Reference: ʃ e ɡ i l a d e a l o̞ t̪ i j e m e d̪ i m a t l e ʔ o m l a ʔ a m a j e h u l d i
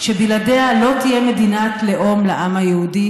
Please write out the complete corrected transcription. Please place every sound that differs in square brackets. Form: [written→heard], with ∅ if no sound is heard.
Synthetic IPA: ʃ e [ɡ→b] i l a d e a l o̞ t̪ i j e m e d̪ i [m→n] a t l e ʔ o m l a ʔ a m a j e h u [l→∅] d i